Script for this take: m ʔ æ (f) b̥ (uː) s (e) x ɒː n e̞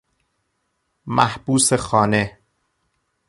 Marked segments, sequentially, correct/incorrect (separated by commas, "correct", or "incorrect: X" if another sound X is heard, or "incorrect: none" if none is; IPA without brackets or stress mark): incorrect: h, correct, correct